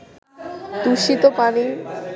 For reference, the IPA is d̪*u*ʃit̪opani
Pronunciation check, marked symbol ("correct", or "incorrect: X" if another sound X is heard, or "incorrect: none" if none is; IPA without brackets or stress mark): correct